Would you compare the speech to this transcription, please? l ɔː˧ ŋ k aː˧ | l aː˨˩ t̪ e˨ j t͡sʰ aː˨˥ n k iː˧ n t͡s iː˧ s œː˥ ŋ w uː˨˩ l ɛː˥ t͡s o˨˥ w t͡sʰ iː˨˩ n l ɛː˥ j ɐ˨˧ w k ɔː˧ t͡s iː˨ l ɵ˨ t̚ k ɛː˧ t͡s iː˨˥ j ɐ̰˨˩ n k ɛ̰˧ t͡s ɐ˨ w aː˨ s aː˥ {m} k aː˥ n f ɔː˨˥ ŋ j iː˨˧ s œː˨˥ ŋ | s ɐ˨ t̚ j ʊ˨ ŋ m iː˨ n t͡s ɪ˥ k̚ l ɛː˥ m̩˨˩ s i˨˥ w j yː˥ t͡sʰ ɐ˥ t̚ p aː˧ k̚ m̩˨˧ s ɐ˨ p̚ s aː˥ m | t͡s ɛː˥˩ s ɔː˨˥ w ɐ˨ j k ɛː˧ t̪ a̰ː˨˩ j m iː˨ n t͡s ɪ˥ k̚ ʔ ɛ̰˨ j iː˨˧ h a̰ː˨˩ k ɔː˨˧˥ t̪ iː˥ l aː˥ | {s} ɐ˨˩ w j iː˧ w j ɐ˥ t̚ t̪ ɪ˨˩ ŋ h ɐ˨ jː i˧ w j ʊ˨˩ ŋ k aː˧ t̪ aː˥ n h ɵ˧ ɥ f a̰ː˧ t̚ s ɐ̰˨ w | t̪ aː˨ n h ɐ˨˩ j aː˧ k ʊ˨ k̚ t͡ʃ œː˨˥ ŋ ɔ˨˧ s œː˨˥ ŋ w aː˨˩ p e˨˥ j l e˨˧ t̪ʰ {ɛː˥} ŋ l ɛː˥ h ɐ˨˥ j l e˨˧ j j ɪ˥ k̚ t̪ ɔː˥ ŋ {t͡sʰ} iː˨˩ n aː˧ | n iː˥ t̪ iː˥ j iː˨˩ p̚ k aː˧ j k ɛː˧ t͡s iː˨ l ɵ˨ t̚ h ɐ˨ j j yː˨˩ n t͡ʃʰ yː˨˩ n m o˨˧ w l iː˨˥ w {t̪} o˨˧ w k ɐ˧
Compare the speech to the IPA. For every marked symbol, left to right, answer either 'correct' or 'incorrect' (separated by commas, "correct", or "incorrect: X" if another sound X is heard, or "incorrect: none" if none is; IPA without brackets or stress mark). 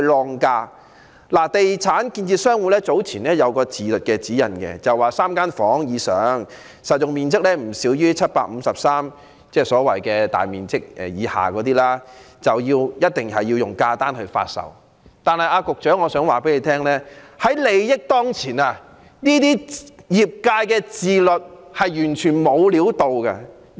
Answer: correct, incorrect: t͡s, correct, correct, correct